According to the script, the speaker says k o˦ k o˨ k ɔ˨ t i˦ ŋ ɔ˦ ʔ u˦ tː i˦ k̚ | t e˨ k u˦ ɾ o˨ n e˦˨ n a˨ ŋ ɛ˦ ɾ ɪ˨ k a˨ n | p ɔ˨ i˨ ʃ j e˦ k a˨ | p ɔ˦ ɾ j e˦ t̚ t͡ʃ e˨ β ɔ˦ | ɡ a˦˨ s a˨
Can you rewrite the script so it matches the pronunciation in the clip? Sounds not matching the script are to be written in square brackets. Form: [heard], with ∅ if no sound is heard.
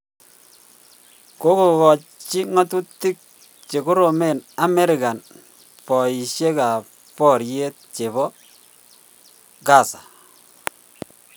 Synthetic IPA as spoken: k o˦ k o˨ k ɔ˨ [t͡ʃ] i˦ ŋ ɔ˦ [t] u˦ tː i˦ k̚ | [t͡ʃ] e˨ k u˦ ɾ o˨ [m] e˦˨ n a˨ [m] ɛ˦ ɾ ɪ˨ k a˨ n | p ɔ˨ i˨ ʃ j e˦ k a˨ | p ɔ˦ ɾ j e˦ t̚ t͡ʃ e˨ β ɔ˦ | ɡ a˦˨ s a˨